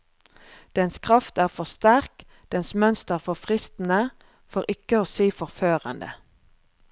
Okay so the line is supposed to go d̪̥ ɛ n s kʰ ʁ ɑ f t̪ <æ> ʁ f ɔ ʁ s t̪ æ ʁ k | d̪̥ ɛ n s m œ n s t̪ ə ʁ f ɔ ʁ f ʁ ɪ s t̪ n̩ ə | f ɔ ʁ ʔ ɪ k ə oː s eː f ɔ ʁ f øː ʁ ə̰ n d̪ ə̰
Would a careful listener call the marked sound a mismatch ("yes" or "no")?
yes